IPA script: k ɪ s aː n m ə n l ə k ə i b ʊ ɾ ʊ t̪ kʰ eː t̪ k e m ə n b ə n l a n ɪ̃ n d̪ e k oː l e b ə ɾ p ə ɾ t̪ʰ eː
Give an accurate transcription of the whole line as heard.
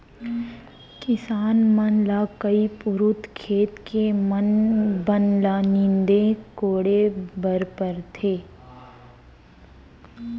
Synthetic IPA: k ɪ s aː n m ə n l a k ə i p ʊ ɾ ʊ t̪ kʰ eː t̪ k e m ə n b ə n l a n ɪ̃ n d̪ e k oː ɽ e b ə ɾ p ə ɾ t̪ʰ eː

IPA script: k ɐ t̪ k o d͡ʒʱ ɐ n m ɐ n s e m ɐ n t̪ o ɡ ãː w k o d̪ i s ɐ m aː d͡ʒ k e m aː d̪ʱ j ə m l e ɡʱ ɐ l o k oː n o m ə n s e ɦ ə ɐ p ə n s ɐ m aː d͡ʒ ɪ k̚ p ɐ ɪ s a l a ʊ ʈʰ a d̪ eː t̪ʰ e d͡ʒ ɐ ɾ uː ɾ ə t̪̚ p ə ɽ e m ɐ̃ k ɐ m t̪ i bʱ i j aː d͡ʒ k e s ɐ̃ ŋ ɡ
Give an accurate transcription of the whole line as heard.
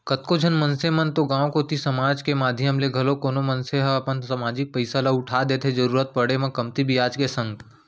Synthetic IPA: k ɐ t̪ k o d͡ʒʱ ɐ n m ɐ n s e m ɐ n t̪ o ɡ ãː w k o t̪ i s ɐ m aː d͡ʒ k e m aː d̪ʱ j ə m l e ɡʱ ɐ l o k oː n o m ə n s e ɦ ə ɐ p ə n s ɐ m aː d͡ʒ ɪ k̚ p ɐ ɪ s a l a ʊ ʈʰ a d̪ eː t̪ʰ e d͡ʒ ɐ ɾ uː ɾ ə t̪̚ p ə ɽ e m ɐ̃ k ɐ m t̪ i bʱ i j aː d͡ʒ k e s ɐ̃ ŋ ɡ

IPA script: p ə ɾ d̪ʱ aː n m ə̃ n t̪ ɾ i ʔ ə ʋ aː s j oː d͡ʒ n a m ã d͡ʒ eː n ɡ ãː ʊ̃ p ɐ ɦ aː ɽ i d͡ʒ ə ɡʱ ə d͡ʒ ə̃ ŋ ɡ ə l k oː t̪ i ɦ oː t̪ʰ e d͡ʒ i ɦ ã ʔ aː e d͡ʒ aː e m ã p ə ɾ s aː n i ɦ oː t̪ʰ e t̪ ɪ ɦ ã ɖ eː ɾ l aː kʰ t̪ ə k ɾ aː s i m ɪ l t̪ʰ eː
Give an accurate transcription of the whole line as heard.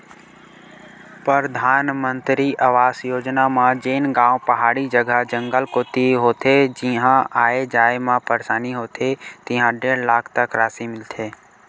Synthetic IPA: p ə ɾ d̪ʱ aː n m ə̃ n t̪ ɾ i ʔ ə ʋ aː s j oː d͡ʒ n a m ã d͡ʒ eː n ɡ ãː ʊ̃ p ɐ ɦ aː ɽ i d͡ʒ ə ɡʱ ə d͡ʒ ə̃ ŋ ɡ ə l k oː t̪ i ɦ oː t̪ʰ e d͡ʒ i ɦ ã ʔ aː e d͡ʒ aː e m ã p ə ɾ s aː n i ɦ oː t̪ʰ e t̪ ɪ ɦ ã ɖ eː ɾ l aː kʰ t̪ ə k ɾ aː s i m ɪ l t̪ʰ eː

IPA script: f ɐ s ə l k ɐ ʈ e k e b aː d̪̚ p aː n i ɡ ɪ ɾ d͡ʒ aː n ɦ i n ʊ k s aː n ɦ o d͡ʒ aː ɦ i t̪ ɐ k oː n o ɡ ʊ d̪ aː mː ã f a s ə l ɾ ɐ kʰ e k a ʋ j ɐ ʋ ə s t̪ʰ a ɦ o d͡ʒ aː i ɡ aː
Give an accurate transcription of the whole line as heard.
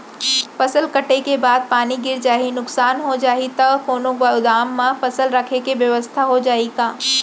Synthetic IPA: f ɐ s ə l k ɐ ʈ e k e b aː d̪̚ p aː n i ɡ ɪ ɾ d͡ʒ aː ɦ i n ʊ k s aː n ɦ o d͡ʒ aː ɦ i t̪ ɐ k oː n o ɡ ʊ d̪ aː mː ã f ɐ s ə l ɾ ɐ kʰ e k e ʋ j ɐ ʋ ə s t̪ʰ a ɦ o d͡ʒ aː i ɡ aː

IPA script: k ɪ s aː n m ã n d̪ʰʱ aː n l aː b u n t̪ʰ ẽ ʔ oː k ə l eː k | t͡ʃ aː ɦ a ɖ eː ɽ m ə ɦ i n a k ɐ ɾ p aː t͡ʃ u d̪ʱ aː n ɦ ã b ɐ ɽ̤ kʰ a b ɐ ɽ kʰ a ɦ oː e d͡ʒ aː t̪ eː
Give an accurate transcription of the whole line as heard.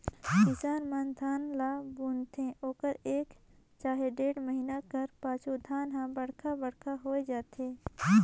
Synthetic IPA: k ɪ s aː n m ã n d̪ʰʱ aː n l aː b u n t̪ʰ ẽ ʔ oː k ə ɾ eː k | t͡ʃ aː ɦ e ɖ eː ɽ m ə ɦ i n a k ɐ ɾ p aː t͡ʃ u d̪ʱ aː n ɦ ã b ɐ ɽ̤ kʰ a b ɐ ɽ kʰ a ɦ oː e d͡ʒ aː t̪ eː

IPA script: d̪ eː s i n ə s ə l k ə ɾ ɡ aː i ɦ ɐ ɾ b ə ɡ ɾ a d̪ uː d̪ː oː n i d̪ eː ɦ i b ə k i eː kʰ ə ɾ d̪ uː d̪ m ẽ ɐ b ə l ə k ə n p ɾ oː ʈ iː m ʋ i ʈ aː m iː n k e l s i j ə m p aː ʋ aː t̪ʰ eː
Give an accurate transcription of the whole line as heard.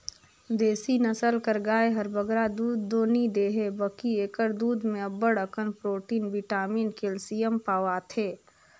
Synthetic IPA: d̪ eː s i n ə s ə l k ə ɾ ɡ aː e ɦ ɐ ɾ b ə ɡ ɾ a d̪ uː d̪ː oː n i d̪ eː ɦ e b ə k i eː k ə ɾ d̪ uː d̪ m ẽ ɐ b ə ɽ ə k ə n p ɾ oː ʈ iː n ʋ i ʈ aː m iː n k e l s i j ə m p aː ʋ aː t̪ʰ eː

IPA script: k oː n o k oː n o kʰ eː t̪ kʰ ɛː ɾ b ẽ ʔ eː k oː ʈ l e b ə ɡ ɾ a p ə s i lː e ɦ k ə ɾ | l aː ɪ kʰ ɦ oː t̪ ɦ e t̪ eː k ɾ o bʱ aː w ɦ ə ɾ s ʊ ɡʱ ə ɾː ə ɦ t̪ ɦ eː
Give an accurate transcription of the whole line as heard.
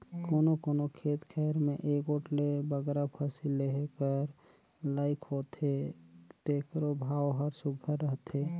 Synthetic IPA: k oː n o k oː n o kʰ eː t̪ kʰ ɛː ɾ m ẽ ʔ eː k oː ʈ l e b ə ɡ ɾ a pʰ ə s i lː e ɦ k ə ɾ | l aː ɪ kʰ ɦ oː t̪ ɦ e t̪ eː k ɾ o bʱ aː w ɦ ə ɾ s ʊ ɡʱ ə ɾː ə ɦ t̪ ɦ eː

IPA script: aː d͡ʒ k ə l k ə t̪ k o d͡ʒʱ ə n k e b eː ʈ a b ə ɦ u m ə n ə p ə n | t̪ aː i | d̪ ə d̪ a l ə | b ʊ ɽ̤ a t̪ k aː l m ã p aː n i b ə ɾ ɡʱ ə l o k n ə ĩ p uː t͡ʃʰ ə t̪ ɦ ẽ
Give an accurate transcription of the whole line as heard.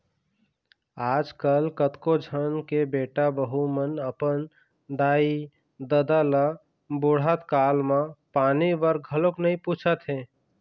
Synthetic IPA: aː d͡ʒ k ə l k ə t̪ k o d͡ʒʱ ə n k e b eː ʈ a b ə ɦ u m ə n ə p ə n | d̪ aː i | d̪ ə d̪ a l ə | b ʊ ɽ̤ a t̪ k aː l m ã p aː n i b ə ɾ ɡʱ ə l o k n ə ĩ p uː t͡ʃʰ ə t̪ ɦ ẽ

